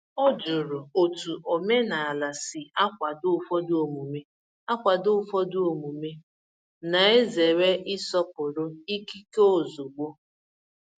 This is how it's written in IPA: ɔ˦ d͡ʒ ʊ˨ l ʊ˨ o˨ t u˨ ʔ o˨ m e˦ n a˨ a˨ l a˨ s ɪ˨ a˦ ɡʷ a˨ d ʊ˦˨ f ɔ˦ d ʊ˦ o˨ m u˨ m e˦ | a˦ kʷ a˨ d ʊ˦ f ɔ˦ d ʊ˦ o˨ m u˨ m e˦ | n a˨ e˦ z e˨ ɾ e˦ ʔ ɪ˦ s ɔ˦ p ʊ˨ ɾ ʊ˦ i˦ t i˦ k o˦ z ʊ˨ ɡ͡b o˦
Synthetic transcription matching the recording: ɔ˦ d͡ʒ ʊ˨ ɾ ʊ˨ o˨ t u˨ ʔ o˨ m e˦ n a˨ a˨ l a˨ s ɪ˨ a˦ kʷ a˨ d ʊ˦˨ f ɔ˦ d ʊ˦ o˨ m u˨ m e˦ | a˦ kʷ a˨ d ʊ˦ f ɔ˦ d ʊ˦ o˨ m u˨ m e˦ | n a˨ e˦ z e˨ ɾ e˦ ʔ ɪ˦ s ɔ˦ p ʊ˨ ɾ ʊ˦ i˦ k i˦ k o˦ z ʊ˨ ɡ͡b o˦